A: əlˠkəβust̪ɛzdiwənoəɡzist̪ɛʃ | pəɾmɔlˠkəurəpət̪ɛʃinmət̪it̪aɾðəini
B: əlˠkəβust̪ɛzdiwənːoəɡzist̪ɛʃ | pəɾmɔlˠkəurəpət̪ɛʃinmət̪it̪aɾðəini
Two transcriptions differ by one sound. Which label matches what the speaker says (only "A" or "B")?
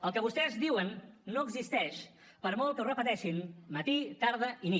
B